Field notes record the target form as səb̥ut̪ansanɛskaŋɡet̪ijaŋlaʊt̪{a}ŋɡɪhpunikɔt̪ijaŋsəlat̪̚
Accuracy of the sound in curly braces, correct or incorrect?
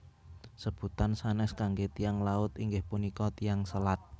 incorrect